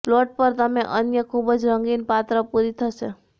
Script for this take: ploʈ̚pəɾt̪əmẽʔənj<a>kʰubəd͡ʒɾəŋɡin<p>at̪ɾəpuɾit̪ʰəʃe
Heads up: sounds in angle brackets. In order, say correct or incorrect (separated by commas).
incorrect, correct